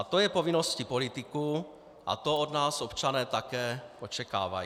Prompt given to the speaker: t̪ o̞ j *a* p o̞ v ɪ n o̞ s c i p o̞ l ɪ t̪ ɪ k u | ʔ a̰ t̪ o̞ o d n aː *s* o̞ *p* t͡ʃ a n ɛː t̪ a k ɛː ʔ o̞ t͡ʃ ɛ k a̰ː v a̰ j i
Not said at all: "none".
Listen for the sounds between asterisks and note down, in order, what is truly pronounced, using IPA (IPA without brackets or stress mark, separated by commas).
ɛ, s, p